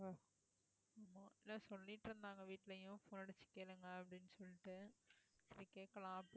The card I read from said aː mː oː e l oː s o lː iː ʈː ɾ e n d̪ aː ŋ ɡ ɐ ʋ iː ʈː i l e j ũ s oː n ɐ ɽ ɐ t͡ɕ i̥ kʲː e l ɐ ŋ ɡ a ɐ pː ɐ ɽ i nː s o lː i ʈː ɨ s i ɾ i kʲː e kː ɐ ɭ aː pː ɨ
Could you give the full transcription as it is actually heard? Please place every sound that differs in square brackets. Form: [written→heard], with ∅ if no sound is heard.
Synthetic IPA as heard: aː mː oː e l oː s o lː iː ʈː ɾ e n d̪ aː ŋ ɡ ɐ ʋ iː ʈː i l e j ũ [s→f] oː n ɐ ɽ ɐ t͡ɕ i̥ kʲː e l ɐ ŋ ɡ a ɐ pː ɐ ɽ i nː s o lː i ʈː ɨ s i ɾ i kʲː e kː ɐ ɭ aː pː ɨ